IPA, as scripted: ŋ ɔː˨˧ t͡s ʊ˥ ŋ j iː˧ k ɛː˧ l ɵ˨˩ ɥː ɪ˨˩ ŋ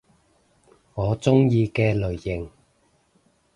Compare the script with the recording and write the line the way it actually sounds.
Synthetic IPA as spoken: ŋ ɔː˨˧ t͡s ʊ˥ ŋ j iː˧ k ɛː˧ l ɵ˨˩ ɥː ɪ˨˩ ŋ